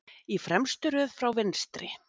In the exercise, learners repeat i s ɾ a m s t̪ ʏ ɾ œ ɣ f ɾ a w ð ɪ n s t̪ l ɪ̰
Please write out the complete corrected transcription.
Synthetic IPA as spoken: i f ɾ ɛ m s t̪ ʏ ɾ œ ð f ɾ a w v ɪ n s t̪ ɾ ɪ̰